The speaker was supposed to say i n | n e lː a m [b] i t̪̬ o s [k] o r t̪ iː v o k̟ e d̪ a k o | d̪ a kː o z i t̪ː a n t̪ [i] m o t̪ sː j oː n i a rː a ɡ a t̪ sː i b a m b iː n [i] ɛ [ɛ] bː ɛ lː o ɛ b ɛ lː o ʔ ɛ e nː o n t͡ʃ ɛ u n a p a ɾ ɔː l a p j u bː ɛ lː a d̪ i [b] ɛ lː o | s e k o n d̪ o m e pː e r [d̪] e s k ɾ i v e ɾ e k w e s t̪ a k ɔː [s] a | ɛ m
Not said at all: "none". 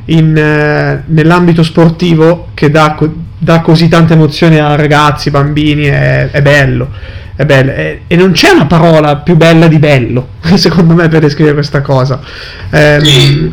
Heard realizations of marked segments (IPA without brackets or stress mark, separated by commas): b, p, e, i, ɛ, b, d̪, z